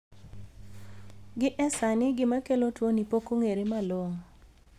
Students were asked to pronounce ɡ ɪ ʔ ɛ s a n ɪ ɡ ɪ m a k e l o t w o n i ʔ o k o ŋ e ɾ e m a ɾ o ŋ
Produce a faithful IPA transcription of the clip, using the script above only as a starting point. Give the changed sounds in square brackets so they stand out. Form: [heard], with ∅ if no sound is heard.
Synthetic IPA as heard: ɡ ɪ ʔ ɛ s a n ɪ ɡ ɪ m a k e l o t w o n i [p] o k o ŋ e ɾ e m a [l] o ŋ